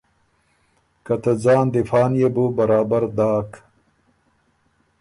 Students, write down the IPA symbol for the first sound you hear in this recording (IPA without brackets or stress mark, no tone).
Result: k